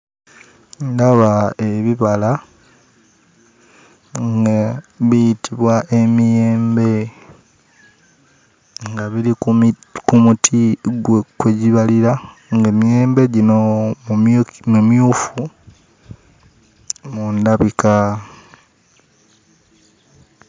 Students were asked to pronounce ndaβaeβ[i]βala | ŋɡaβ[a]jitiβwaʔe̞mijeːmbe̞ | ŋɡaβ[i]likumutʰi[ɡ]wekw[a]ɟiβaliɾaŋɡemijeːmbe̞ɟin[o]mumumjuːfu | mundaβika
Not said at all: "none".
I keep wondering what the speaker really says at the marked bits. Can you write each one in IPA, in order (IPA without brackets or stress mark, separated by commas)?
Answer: i, i, i, ɡ, e, o